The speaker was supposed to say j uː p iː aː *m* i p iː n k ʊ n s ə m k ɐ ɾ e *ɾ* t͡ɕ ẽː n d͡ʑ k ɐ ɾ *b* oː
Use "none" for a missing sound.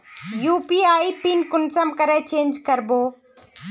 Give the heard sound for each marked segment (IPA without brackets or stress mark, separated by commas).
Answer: none, none, b